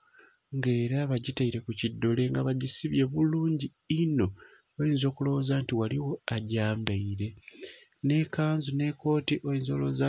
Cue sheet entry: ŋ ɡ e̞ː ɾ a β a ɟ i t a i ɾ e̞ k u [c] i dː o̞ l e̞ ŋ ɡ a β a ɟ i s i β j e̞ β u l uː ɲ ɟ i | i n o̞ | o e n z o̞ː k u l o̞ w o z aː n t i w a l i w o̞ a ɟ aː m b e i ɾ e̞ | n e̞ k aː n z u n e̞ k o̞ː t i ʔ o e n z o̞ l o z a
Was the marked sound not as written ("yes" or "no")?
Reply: no